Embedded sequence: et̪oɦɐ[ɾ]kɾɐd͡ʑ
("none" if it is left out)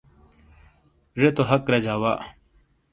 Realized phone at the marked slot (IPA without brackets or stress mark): none